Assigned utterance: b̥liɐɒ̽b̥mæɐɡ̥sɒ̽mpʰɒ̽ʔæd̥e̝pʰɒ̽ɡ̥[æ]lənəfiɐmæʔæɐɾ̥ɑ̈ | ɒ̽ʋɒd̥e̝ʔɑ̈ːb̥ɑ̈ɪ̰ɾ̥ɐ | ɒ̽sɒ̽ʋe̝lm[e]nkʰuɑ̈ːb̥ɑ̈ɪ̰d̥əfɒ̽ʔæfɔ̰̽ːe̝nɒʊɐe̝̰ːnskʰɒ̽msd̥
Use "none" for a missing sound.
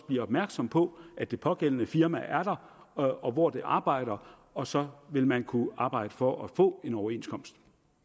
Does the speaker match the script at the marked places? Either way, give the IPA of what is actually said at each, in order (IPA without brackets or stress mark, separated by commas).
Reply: e, æ